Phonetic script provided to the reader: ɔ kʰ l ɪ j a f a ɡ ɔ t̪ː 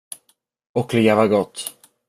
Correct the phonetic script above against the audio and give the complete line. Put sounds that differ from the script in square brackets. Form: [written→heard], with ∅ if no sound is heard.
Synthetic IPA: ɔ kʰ l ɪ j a [f→v] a ɡ ɔ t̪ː